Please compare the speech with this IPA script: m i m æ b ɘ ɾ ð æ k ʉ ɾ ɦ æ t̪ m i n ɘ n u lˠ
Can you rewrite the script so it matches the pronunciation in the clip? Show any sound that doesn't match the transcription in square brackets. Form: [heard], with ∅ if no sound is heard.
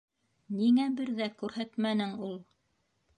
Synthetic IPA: [n] i [ŋ] æ b ɘ ɾ ð æ k ʉ ɾ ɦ æ t̪ m [æ] n ɘ [ŋ] u lˠ